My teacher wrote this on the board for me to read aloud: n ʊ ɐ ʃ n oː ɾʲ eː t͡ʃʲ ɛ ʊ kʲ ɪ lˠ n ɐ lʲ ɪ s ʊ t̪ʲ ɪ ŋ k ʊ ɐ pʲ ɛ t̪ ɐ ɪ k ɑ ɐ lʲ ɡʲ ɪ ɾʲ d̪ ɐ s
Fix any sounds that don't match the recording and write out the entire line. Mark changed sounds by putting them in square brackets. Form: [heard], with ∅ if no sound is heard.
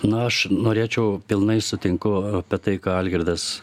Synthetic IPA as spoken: n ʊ ɐ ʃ n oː ɾʲ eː t͡ʃʲ ɛ ʊ [pʲ] ɪ lˠ n ɐ [∅] ɪ s ʊ t̪ʲ ɪ ŋ k ʊ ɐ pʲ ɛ t̪ ɐ ɪ k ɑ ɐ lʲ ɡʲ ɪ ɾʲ d̪ ɐ s